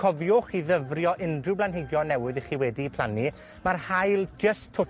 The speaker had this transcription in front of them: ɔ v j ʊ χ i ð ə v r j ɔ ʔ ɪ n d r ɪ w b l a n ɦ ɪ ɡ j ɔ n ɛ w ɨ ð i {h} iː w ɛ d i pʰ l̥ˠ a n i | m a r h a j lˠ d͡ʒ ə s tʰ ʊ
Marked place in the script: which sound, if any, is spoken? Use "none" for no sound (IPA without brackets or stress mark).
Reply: χ